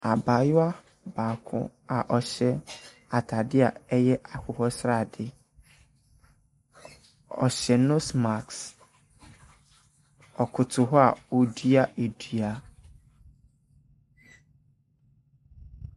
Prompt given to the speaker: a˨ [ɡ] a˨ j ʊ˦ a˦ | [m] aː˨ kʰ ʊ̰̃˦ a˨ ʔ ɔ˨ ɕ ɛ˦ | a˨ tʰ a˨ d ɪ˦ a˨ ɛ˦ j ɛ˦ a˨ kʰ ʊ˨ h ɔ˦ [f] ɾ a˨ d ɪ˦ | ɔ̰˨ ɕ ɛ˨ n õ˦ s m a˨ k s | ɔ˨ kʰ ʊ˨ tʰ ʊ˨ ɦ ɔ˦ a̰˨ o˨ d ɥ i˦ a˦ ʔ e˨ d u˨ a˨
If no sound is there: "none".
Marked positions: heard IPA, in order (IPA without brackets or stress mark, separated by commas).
b, b, s